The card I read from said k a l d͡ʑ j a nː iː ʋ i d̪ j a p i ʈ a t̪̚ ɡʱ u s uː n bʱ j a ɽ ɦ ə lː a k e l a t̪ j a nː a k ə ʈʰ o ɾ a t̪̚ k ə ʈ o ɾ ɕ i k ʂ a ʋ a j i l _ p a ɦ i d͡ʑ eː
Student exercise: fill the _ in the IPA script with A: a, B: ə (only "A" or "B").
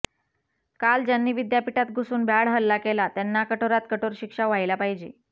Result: A